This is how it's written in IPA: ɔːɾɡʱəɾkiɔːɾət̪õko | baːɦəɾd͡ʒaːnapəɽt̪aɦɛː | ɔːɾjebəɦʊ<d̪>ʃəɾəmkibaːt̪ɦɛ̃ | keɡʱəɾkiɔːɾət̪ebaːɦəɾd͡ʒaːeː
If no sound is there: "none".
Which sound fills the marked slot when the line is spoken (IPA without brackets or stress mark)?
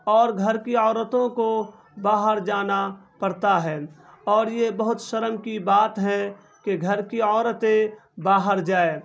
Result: t̪